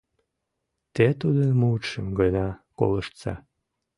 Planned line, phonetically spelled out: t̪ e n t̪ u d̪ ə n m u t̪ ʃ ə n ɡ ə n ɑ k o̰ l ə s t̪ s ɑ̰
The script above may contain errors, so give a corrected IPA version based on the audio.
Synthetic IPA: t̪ e t̪ u d̪ ə n m u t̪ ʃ ə m ɡ ə n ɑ k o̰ l ə ʃ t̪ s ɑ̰